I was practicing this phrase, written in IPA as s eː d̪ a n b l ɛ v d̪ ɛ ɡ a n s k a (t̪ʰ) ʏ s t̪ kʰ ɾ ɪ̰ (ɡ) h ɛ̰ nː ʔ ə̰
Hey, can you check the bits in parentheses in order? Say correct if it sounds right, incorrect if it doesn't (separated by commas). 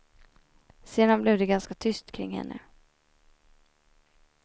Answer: correct, incorrect